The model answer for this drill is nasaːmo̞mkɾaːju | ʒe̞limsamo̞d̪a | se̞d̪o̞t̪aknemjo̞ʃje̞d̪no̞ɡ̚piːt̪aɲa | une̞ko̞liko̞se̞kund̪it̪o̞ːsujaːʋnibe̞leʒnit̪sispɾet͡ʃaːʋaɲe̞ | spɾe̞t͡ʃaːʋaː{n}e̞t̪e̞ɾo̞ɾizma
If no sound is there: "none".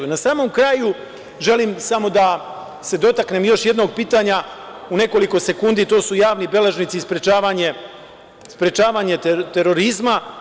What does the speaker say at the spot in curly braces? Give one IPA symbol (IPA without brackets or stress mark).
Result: ɲ